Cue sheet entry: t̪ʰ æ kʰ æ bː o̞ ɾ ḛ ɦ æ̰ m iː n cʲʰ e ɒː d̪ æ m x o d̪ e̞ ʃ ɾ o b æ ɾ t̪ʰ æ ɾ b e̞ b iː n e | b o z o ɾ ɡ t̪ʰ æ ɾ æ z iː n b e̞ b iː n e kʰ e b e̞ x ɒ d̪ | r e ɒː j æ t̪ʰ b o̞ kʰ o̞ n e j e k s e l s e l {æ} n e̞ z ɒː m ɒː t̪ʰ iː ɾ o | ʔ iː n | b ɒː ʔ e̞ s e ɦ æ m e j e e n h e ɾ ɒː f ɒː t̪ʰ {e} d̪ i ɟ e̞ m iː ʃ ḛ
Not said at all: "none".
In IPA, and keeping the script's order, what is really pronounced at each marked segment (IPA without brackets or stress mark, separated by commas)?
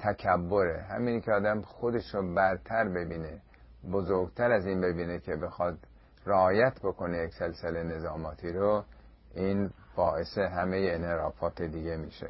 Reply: e, e